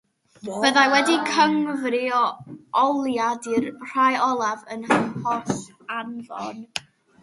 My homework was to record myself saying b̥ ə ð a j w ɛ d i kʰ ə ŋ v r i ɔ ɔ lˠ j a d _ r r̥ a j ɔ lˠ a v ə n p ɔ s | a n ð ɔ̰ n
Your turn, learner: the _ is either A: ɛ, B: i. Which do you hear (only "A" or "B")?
B